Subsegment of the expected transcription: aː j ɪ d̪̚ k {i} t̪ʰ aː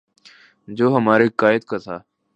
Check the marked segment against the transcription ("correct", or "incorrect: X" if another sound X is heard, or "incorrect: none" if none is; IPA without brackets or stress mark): incorrect: a